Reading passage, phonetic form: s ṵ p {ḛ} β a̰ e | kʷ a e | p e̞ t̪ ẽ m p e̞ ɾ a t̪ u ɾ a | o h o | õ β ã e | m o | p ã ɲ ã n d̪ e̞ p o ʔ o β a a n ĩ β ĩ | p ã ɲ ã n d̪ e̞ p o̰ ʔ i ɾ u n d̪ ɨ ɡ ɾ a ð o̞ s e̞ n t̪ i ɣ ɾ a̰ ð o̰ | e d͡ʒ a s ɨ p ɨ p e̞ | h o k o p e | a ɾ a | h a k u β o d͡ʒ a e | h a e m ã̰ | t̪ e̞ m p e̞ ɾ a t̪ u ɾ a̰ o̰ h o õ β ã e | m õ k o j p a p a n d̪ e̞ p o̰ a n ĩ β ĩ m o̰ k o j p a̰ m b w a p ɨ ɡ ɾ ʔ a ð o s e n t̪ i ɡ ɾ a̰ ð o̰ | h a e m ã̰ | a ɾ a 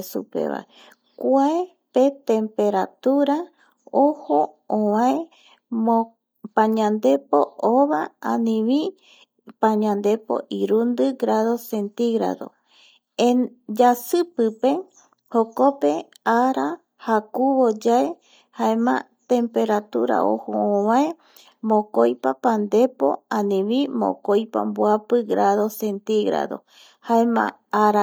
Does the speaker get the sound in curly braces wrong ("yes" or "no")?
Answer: no